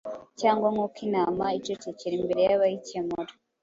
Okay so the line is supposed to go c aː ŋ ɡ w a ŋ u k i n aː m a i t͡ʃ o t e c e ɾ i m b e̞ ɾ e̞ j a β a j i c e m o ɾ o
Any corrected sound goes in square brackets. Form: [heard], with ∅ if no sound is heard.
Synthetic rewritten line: c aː ŋ ɡ w a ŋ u k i n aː m a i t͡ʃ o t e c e ɾ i m b e̞ ɾ e̞ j a β a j i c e m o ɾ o